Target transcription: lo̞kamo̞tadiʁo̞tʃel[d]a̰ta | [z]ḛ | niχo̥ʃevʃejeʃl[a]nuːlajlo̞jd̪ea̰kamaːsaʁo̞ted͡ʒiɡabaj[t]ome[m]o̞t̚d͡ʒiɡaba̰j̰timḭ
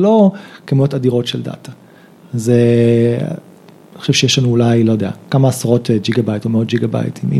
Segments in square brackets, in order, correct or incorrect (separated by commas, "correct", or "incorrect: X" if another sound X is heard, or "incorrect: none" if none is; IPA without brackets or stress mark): correct, correct, correct, correct, incorrect: none